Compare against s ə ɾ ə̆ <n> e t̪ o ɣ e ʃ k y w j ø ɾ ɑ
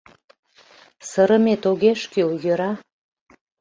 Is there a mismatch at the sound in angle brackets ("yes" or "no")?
yes